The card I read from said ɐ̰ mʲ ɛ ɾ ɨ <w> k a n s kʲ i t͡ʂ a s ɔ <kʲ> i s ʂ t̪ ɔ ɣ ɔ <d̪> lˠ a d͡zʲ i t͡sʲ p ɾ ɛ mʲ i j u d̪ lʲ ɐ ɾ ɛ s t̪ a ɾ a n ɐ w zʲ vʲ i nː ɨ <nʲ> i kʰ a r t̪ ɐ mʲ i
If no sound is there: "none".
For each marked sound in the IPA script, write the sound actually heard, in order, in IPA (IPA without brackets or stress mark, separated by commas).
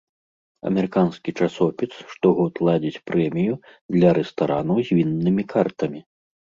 none, pʲ, t̪, mʲ